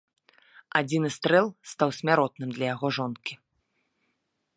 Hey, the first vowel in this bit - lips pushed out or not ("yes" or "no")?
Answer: no